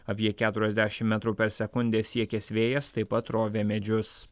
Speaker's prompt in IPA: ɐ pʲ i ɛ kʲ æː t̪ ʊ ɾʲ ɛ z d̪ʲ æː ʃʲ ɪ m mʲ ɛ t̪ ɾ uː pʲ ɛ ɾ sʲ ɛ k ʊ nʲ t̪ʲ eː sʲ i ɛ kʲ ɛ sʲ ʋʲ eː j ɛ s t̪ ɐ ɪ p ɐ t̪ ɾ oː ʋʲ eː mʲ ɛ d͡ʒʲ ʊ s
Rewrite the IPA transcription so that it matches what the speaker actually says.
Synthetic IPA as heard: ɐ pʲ i ɛ kʲ æː t̪ ʊ ɾʲ ɛ z d̪ʲ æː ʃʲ ɪ m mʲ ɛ t̪ ɾ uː pʲ ɛ ɾ sʲ ɛ k ʊ nʲ d̪ʲ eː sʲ i ɛ kʲ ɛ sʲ ʋʲ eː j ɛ s t̪ ɐ ɪ p ɐ t̪ ɾ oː ʋʲ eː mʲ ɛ d͡ʒʲ ʊ s

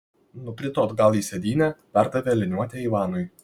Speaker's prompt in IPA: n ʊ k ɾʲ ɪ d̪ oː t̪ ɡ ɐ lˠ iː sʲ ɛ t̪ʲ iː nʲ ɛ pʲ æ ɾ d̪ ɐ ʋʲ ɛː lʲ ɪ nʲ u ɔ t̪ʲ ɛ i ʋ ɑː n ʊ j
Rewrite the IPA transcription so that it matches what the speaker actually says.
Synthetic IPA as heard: n ʊ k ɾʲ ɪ t̪ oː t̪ ɡ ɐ lˠ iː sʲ ɛ d̪ʲ iː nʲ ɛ pʲ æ ɾ d̪ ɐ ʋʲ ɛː lʲ ɪ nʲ u ɔ t̪ʲ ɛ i ʋ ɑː n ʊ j

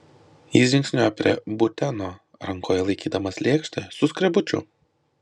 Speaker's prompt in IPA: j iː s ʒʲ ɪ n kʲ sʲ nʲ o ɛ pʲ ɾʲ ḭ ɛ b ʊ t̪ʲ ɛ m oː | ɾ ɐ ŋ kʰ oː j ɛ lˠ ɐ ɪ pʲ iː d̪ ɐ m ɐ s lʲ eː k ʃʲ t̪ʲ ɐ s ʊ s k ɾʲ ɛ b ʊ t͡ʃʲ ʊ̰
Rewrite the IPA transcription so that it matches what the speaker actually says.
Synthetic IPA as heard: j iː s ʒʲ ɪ ŋ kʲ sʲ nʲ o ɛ pʲ ɾʲ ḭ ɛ b ʊ t̪ʲ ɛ n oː | ɾ ɐ ŋ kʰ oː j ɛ lˠ ɐ ɪ kʲ iː d̪ ɐ m ɐ s lʲ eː k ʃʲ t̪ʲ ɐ s ʊ s k ɾʲ ɛ b ʊ t͡ʃʲ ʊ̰

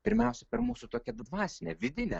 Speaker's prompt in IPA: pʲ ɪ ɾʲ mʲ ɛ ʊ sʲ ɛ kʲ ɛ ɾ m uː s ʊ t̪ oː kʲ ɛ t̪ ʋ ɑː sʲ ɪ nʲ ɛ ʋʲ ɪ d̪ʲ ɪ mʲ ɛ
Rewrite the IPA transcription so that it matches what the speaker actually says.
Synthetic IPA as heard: pʲ ɪ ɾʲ mʲ ɛ ʊ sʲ ɛ pʲ ɛ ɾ m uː s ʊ t̪ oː kʲ ɛ d̪ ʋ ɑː sʲ ɪ nʲ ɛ ʋʲ ɪ d̪ʲ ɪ nʲ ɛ

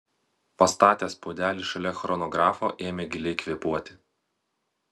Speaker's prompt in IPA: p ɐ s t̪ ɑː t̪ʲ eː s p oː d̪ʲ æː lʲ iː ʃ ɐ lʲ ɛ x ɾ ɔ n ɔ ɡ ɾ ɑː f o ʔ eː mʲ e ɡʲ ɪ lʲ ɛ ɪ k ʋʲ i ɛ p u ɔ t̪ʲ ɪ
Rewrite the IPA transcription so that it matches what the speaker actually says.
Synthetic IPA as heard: p ɐ s t̪ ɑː t̪ʲ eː s p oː d̪ʲ æː lʲ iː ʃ ɐ lʲ ɛ x ɾ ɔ n ɔ ɡ ɾ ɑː f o ʔ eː mʲ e ɡʲ ɪ lʲ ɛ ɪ k ʋʲ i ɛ p u ɔ t̪ʲ ɪ

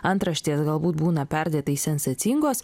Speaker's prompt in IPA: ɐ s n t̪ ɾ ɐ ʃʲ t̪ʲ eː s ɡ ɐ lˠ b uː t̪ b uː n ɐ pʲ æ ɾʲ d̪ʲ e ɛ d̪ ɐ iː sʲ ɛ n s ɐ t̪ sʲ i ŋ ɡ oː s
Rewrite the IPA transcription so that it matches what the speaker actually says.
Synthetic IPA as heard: ɐ n t̪ ɾ ɐ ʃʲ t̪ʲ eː s ɡ ɐ lˠ b uː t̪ b uː n ɐ pʲ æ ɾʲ d̪ʲ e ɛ t̪ ɐ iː sʲ ɛ n s ɐ t̪ sʲ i ŋ ɡ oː s

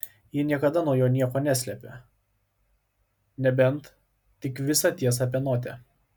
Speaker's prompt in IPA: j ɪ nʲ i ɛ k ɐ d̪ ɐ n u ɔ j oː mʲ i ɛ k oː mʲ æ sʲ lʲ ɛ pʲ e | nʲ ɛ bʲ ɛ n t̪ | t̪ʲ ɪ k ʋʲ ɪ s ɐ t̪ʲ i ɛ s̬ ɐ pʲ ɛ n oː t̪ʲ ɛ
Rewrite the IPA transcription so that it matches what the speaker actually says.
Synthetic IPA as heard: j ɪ nʲ i ɛ k ɐ d̪ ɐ n u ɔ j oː nʲ i ɛ k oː nʲ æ sʲ lʲ ɛ pʲ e | nʲ ɛ bʲ ɛ n t̪ | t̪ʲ ɪ k ʋʲ ɪ s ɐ t̪ʲ i ɛ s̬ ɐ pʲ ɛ n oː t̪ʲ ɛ

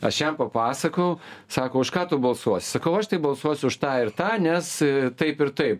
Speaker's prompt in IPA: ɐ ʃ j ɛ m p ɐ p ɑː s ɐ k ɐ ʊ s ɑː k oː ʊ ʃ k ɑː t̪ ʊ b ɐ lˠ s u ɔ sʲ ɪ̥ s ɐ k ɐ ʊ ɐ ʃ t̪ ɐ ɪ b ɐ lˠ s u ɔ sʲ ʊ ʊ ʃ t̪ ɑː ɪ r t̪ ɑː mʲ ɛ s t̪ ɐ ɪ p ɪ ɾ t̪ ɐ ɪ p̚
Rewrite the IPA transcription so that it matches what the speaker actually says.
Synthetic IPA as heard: ɐ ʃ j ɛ m p ɐ p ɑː s ɐ k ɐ ʊ s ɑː k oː ʊ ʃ k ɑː t̪ ʊ b ɐ lˠ s u ɔ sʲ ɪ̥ s ɐ k ɐ ʊ ɐ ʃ t̪ ɐ ɪ b ɐ lˠ s u ɔ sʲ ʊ ʊ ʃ t̪ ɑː ɪ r t̪ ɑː nʲ ɛ s t̪ ɐ ɪ p ɪ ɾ t̪ ɐ ɪ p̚

